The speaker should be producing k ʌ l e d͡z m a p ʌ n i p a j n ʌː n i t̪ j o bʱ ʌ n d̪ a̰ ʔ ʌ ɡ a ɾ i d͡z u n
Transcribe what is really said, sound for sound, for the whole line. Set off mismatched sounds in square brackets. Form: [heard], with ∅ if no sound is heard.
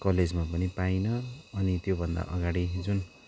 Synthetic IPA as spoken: k ʌ l e d͡z m a p ʌ n i p a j n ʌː n i t̪ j o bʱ ʌ n d̪ a̰ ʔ ʌ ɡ a [ɽ] i d͡z u n